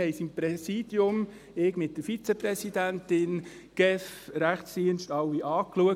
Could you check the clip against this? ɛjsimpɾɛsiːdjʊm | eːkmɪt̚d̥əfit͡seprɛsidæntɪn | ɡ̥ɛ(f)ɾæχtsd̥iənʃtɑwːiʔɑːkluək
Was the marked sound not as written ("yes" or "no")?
no